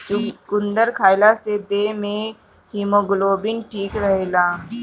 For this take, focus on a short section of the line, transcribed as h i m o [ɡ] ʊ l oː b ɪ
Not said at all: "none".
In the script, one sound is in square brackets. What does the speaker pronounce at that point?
ɡ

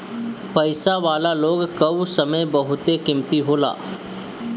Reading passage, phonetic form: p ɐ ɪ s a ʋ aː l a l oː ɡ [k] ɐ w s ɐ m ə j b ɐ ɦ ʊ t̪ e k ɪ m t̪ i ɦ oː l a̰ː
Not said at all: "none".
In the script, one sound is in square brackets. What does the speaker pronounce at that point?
k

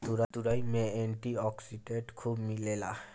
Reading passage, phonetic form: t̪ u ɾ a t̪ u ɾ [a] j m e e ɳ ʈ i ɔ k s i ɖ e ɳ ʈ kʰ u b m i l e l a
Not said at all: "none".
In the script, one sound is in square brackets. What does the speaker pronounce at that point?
a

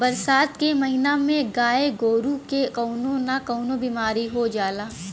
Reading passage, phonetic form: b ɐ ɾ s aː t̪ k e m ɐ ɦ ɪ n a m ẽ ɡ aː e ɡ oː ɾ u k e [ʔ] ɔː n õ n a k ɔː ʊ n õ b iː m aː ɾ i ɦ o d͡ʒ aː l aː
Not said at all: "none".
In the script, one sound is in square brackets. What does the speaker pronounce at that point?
k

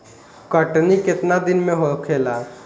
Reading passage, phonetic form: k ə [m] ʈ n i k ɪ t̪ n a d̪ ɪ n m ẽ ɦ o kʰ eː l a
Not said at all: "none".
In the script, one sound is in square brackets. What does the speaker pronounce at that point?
none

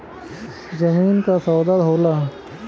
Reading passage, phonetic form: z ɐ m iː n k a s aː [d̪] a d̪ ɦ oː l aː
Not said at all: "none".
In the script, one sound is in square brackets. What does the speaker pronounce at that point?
d̪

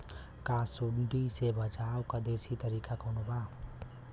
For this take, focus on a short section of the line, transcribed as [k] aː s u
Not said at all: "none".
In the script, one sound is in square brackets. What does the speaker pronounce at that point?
k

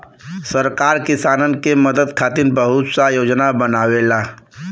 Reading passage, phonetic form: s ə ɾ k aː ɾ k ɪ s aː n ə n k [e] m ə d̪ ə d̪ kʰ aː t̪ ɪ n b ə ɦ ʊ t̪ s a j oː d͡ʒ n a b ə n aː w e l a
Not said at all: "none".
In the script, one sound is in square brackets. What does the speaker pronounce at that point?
e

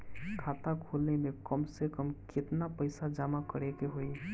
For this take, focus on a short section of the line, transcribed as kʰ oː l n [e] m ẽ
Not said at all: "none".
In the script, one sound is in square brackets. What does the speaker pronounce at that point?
e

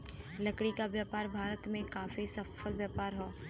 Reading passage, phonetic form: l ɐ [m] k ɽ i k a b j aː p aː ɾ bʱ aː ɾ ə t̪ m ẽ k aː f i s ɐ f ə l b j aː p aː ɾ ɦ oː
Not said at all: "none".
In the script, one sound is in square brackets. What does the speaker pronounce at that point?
none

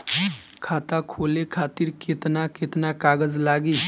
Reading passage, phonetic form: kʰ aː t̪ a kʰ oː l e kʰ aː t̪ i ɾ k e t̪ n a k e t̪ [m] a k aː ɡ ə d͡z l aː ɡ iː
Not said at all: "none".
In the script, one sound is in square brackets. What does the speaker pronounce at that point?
n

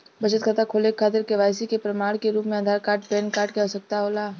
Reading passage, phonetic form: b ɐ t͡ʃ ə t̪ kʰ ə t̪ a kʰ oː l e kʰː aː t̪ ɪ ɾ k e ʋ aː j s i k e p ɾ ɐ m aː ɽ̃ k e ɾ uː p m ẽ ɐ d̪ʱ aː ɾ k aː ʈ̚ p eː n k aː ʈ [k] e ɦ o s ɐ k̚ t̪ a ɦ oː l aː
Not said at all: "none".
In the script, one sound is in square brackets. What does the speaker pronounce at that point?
k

